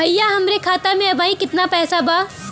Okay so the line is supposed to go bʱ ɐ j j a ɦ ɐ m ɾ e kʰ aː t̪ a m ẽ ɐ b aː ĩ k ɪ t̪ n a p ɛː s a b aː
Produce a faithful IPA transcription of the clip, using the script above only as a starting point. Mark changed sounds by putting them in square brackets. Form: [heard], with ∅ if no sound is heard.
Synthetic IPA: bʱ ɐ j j a ɦ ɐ m ɾ e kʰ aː t̪ a m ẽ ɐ b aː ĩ k ɪ t̪ n a p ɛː s a b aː

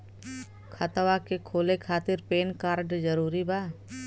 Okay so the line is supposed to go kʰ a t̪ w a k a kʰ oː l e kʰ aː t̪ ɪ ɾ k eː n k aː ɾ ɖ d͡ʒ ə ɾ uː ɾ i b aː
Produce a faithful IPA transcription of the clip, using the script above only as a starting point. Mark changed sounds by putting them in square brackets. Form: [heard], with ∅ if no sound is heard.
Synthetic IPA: kʰ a t̪ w a k [e] kʰ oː l e kʰ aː t̪ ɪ ɾ [p] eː n k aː ɾ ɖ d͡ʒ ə ɾ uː ɾ i b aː

